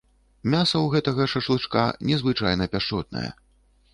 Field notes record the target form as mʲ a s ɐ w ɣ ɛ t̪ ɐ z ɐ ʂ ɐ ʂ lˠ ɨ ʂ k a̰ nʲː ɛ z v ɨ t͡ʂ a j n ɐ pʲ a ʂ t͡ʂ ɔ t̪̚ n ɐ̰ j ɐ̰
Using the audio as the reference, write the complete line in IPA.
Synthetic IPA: mʲ a s ɐ w ɣ ɛ t̪ ɐ ɣ ɐ ʂ ɐ ʂ lˠ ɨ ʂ k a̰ nʲ ɛ z v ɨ t͡ʂ a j n ɐ pʲ a ʂ t͡ʂ ɔ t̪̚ n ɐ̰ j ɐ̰